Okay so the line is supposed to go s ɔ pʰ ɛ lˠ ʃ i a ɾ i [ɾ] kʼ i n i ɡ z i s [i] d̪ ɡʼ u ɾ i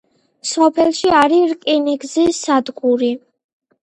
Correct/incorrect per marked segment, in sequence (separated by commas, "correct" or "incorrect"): correct, incorrect